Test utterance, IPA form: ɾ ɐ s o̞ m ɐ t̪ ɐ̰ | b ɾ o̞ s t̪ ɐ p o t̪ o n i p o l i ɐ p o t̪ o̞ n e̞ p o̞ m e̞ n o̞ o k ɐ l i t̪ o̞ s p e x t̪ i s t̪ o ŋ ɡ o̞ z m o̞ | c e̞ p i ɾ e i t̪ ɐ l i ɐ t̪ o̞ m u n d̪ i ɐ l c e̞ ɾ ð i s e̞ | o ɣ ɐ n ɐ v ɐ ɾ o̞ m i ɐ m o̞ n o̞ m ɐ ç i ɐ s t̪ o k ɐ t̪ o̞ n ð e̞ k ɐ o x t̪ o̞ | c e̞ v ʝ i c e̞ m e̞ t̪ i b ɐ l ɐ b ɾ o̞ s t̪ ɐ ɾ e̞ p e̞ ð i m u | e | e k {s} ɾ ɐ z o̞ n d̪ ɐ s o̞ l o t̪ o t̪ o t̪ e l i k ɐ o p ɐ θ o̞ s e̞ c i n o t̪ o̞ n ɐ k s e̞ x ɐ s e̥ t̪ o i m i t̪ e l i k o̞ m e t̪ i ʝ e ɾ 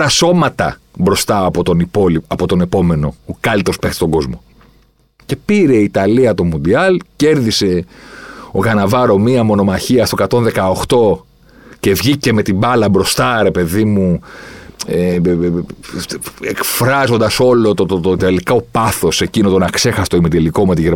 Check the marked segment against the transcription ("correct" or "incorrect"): incorrect